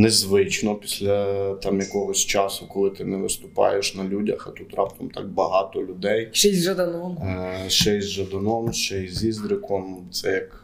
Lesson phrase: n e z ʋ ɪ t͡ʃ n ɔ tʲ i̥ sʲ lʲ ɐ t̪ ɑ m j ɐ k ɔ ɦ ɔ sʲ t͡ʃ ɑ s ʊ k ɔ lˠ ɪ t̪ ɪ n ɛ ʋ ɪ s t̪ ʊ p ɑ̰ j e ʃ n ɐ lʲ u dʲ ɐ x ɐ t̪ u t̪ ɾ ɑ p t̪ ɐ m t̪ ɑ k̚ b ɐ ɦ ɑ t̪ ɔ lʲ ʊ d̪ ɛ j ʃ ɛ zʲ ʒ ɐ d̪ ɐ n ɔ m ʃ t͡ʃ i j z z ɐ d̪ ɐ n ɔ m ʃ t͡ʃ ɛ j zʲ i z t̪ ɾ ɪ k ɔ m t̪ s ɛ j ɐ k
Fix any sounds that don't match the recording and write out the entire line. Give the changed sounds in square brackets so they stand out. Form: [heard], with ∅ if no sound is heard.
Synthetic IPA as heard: n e z ʋ ɪ t͡ʃ n ɔ [pʲ] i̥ sʲ lʲ ɐ t̪ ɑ m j ɐ k ɔ ɦ ɔ sʲ t͡ʃ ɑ s ʊ k ɔ lˠ ɪ t̪ ɪ n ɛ ʋ ɪ s t̪ ʊ p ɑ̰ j e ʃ n ɐ lʲ u dʲ ɐ x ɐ t̪ u t̪ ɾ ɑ p t̪ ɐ m t̪ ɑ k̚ b ɐ ɦ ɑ t̪ ɔ lʲ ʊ d̪ ɛ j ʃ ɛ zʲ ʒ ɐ d̪ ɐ n ɔ m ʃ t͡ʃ [ɛ] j z [ʒ] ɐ d̪ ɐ n ɔ m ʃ t͡ʃ ɛ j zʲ i z [d̪] ɾ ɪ k ɔ m t̪ s ɛ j ɐ k